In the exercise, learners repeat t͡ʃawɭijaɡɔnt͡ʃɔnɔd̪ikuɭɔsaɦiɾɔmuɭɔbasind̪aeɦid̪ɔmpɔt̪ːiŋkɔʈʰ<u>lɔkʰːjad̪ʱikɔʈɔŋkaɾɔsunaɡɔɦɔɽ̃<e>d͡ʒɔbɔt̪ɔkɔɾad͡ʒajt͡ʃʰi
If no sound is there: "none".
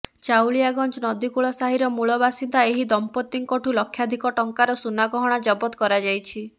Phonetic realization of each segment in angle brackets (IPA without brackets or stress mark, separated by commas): u, a